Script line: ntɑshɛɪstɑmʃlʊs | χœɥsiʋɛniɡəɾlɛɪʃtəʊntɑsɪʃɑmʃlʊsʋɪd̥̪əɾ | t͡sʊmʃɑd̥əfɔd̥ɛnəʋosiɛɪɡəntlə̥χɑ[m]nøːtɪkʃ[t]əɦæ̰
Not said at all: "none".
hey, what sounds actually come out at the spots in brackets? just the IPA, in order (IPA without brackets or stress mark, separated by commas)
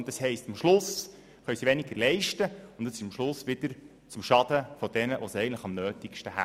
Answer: m, t